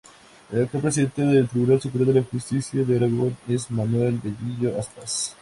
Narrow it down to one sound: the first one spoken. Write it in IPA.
e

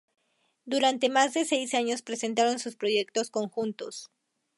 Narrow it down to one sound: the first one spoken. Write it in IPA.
d̪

